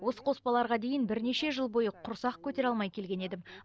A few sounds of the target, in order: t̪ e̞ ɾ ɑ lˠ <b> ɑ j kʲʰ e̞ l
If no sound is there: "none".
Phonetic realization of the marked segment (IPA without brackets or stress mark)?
m